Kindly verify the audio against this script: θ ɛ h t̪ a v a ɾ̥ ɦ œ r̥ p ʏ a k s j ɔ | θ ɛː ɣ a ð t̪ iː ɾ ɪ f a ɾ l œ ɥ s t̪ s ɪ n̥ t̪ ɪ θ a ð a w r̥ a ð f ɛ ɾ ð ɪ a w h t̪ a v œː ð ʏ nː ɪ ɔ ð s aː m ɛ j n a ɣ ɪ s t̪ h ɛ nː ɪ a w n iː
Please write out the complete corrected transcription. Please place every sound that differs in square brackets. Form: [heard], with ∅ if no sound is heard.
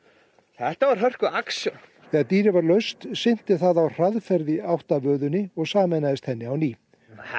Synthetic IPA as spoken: θ ɛ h t̪ a v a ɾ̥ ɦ œ r̥ [k] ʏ a k s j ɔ | θ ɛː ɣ a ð t̪ iː ɾ ɪ [v] a ɾ l œ ɥ s t̪ s ɪ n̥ t̪ ɪ θ a ð a w r̥ a ð f ɛ ɾ ð ɪ a w h t̪ a v œː ð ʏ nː ɪ ɔ [ɣ] s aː m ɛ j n a [ð] ɪ s t̪ h ɛ nː ɪ a w n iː

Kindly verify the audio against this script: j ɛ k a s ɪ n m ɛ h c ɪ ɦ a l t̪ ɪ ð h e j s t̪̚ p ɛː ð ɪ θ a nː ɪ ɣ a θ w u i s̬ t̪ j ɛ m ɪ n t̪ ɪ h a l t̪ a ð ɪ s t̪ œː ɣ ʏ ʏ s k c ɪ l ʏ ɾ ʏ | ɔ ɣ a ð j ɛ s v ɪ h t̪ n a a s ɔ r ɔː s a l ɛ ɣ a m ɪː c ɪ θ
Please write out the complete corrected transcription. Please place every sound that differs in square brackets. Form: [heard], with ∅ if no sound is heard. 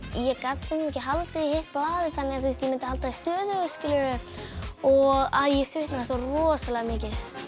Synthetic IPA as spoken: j ɛ k a s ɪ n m ɛ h c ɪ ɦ a l t̪ ɪ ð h e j [h] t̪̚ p [aː] ð ɪ θ a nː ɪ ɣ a θ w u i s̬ t̪ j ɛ m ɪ n t̪ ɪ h a l t̪ a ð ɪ s t̪ œː [ð] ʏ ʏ s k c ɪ l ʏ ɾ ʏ | ɔ ɣ a ð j ɛ s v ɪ h t̪ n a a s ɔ r ɔː s a l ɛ ɣ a m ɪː c ɪ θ

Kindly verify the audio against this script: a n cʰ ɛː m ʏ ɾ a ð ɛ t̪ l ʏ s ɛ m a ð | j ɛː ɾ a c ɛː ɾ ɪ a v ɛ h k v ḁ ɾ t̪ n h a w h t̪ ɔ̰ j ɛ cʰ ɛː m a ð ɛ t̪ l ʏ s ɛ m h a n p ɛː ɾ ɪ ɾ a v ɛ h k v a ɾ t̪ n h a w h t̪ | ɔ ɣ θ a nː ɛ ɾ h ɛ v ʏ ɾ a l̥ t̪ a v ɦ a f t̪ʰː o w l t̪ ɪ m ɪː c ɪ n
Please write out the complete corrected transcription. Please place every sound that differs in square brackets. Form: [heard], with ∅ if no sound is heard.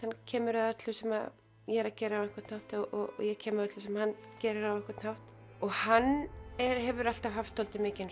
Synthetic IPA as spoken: a n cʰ ɛː m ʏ ɾ a ð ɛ t̪ l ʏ s ɛ m a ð | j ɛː ɾ a c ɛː ɾ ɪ a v ɛ h k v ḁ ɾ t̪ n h a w h t̪ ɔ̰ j ɛ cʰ ɛː m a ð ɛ t̪ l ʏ s ɛ m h a n [c] ɛː ɾ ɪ ɾ a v ɛ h k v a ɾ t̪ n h a w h t̪ | ɔ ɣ [h] a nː ɛ ɾ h ɛ v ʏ ɾ a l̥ t̪ a v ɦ a f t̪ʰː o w l t̪ ɪ m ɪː c ɪ n

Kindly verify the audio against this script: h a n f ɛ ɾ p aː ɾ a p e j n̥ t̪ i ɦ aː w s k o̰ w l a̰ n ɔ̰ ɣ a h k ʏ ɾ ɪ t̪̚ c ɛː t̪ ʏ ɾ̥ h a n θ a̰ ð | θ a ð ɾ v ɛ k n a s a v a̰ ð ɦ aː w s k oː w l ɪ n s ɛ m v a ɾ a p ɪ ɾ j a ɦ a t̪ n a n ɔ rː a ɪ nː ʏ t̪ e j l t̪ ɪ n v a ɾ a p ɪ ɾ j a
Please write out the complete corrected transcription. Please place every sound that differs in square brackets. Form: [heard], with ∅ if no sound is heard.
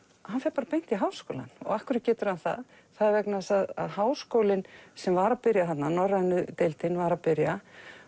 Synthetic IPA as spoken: h a n f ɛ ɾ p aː ɾ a p e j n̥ t̪ i ɦ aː w s k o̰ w l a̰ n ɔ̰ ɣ a h k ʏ ɾ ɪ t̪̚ c ɛː t̪ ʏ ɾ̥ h a n θ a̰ ð | θ a ð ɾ v ɛ k n a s a [ð] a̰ ð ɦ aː w s k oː w l ɪ n s ɛ m v a ɾ a p ɪ ɾ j a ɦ a t̪ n a n ɔ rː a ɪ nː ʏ t̪ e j l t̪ ɪ n v a ɾ a p ɪ ɾ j a

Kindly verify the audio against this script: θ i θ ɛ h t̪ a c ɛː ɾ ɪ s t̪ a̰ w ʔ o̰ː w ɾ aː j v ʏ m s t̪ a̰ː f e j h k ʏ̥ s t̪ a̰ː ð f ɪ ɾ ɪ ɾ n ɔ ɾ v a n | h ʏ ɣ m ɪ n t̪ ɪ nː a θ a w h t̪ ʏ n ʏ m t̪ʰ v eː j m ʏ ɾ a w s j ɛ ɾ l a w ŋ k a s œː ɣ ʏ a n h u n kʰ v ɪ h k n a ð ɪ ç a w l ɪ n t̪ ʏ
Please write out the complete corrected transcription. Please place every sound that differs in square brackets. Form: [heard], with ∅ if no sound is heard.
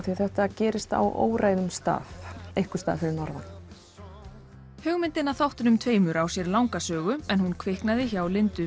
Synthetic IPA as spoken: θ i θ ɛ h t̪ a c ɛː ɾ ɪ s t̪ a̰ w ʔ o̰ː w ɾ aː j [ð] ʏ m s t̪ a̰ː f e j h k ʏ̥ s t̪ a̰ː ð f ɪ ɾ ɪ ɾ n ɔ ɾ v a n | h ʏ ɣ m ɪ n t̪ ɪ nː a θ a w h t̪ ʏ n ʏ m t̪ʰ v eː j m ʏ ɾ a w s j ɛ ɾ l a w ŋ k a s œː ɣ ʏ [ɛ] n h u n kʰ v ɪ h k n a ð ɪ ç a w l ɪ n t̪ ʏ

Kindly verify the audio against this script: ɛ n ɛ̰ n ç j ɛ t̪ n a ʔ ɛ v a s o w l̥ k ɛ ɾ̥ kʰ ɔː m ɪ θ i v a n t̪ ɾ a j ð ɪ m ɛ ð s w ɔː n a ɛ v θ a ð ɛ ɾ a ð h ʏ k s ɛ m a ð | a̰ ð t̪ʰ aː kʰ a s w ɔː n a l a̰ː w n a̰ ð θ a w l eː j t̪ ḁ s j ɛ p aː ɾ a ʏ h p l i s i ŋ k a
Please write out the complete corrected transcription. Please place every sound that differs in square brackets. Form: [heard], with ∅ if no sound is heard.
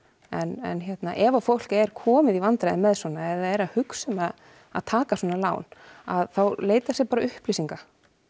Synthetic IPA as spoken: ɛ n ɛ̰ n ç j ɛ t̪ n a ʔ ɛ v a [f] o w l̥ k ɛ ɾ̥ kʰ ɔː m ɪ [ð] i v a n t̪ ɾ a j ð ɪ m ɛ ð s w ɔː n a ɛ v [ð] a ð ɛ ɾ a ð h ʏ k s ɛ m a ð | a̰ ð t̪ʰ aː [k] a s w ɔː n a l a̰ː w n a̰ ð θ a w l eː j t̪ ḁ s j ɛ p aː ɾ a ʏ h p l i s i ŋ k a

